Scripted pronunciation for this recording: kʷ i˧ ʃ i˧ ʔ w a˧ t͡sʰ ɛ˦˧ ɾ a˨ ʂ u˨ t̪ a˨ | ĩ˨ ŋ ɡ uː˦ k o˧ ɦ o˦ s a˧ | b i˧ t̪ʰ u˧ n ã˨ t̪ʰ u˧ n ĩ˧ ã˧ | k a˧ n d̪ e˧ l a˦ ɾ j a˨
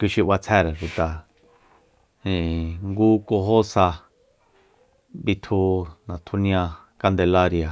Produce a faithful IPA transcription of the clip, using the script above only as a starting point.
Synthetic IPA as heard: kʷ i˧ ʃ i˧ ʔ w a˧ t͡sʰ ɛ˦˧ ɾ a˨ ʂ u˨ t̪ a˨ | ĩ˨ ŋ ɡ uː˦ k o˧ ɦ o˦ s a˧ | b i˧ t̪ʰ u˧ n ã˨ t̪ʰ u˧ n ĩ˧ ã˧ | k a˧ n d̪ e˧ l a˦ ɾ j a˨